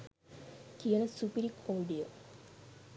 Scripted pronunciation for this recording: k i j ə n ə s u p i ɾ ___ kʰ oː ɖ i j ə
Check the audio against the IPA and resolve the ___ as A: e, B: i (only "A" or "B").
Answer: B